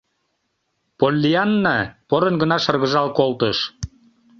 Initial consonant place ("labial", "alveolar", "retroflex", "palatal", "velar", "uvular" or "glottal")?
labial